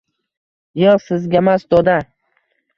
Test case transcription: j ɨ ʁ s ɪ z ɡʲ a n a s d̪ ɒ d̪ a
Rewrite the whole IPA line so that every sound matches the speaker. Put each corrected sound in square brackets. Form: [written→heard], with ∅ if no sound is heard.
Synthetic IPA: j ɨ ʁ s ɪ z ɡʲ a [n→m] a s d̪ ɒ d̪ a